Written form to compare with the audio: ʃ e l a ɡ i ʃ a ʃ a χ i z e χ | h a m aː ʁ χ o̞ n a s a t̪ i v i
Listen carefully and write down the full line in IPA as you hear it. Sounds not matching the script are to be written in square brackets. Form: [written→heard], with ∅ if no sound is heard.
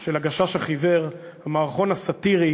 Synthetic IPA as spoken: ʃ e l a ɡ [i→a] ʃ a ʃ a χ i [z→v] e [χ→ʁ] | h a m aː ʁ χ o̞ n a s a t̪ i [v→ʁ] i